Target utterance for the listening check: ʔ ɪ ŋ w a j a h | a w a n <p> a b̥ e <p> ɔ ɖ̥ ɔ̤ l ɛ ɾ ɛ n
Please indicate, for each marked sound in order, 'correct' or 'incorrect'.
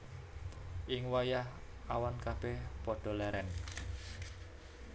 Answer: incorrect: k, correct

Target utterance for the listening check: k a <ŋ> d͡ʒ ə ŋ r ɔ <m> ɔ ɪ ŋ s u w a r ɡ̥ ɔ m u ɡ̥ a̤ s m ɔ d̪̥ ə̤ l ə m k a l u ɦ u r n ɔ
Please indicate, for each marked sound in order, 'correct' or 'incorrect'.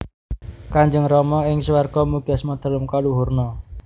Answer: incorrect: ɲ, correct

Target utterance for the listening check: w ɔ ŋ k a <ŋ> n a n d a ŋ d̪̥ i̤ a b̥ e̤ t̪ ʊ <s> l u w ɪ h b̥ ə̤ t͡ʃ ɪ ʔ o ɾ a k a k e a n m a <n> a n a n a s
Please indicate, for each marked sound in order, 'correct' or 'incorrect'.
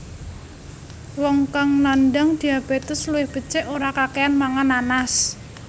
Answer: correct, correct, incorrect: ŋ

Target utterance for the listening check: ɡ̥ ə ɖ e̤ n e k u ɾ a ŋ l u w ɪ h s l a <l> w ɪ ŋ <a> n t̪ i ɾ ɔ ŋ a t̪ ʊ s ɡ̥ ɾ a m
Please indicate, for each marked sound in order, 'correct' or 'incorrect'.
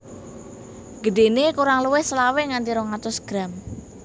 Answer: incorrect: none, correct

